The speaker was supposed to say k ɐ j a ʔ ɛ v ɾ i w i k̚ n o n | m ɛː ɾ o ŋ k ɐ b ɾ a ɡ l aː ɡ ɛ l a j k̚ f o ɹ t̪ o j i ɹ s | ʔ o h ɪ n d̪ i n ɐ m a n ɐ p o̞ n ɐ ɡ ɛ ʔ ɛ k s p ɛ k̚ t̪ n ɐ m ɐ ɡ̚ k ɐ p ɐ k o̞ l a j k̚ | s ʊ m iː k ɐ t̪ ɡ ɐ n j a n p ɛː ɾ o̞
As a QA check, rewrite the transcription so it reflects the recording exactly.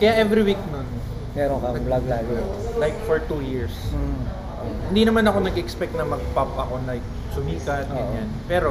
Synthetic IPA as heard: k ɐ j a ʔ ɛ v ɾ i w i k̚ n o n | m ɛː ɾ o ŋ k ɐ b l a ɡ l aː ɡ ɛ l a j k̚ f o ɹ t̪ u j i ɹ s | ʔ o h ɪ n d̪ i n ɐ m a n ɐ k o̞ n ɐ ɡ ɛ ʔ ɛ k s p ɛ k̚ t̪ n ɐ m ɐ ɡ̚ p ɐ p ɐ k o̞ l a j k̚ | s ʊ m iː k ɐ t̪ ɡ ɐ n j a n p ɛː ɾ o̞